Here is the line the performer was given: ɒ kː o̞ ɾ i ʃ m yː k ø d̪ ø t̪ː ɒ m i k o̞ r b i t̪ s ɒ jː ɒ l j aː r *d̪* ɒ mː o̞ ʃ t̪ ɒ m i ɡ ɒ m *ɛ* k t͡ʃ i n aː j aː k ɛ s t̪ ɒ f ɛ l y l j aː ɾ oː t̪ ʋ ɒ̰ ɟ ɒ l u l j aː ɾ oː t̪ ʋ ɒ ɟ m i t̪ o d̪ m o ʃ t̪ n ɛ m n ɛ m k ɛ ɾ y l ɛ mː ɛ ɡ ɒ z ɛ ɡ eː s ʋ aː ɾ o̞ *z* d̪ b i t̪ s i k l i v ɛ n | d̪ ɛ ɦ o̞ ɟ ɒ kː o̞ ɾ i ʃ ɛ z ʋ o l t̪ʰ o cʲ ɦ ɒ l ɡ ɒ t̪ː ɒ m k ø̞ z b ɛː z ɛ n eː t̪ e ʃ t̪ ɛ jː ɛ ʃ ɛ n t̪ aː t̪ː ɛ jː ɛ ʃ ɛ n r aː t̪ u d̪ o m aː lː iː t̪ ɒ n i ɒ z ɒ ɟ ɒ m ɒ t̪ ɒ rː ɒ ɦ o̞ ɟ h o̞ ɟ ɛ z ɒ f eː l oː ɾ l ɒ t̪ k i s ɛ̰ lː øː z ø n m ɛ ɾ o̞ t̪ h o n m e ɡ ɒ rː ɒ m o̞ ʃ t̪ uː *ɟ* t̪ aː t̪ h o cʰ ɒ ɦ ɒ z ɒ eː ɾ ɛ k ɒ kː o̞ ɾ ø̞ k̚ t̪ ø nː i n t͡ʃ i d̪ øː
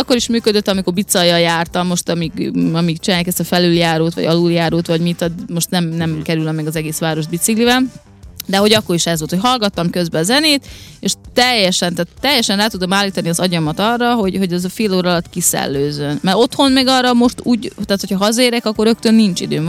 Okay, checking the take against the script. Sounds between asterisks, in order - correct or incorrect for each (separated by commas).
incorrect, incorrect, incorrect, correct